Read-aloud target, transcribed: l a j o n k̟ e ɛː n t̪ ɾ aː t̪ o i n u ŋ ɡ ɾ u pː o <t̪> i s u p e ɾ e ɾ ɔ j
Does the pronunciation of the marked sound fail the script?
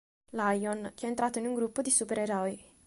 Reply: yes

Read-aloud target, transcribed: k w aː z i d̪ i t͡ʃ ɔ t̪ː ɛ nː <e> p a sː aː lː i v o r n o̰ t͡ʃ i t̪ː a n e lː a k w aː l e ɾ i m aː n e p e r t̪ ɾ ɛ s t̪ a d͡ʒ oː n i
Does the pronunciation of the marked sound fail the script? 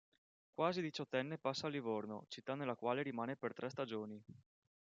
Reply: no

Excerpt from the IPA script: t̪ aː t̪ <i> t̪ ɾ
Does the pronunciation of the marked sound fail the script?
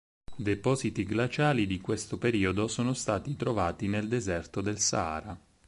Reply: no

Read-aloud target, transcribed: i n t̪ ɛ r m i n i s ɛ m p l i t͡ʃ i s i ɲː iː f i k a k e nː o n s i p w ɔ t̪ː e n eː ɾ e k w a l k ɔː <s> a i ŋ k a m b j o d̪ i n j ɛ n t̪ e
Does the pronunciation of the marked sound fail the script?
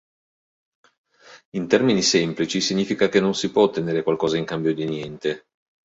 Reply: yes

